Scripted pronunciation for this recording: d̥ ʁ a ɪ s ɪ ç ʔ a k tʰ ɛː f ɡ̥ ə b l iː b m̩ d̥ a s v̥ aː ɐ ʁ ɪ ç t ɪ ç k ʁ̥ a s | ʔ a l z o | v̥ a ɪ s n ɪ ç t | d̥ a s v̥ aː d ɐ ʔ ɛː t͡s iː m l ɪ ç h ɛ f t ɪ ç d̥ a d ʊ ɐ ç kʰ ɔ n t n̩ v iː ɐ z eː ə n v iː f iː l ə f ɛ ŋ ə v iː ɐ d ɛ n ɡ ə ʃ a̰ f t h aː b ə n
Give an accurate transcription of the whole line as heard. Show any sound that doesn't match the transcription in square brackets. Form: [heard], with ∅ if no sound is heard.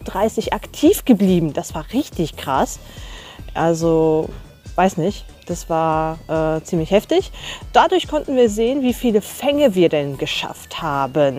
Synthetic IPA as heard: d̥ ʁ a ɪ s ɪ ç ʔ a k tʰ [iː] f ɡ̥ ə b l iː b m̩ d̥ a s v̥ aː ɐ ʁ ɪ ç t ɪ ç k ʁ̥ a s | ʔ a l z o | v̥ a ɪ s n ɪ ç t | d̥ a s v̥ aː [∅] ɐ ʔ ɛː t͡s iː m l ɪ ç h ɛ f t ɪ ç d̥ a d ʊ ɐ ç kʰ ɔ n t n̩ v iː ɐ z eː ə n v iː f iː l ə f ɛ ŋ ə v iː ɐ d ɛ n ɡ ə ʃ a̰ f t h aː b ə n